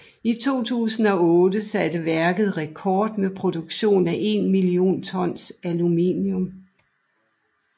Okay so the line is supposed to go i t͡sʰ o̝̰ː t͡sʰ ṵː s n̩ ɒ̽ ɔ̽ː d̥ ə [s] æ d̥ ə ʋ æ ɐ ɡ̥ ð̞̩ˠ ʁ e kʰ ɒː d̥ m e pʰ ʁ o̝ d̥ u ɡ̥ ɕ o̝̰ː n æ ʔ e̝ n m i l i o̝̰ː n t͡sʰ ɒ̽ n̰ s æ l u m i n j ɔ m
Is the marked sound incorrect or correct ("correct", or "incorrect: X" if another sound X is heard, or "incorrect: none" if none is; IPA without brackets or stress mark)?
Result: correct